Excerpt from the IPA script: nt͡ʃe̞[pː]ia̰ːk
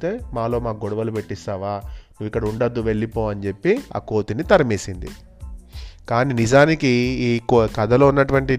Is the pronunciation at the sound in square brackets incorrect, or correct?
correct